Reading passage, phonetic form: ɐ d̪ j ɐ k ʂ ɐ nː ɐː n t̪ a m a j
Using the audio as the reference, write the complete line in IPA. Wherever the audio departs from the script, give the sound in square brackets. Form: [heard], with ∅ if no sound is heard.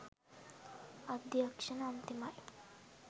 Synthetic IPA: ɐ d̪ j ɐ k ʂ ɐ [n] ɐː n t̪ [i] m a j